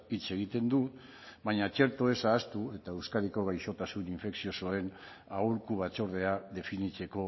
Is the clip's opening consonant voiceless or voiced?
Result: voiceless